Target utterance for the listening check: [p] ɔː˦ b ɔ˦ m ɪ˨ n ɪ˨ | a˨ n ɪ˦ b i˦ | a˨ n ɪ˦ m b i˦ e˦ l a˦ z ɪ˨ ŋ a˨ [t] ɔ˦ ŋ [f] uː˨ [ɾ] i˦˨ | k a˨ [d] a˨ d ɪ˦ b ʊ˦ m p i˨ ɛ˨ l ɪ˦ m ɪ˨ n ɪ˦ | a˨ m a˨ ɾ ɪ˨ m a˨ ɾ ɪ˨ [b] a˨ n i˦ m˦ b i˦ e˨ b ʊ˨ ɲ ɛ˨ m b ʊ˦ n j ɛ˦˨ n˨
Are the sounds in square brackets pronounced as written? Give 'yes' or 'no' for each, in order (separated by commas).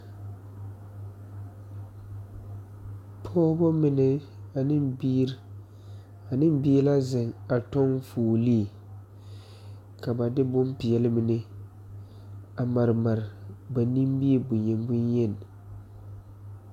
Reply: no, yes, yes, no, no, yes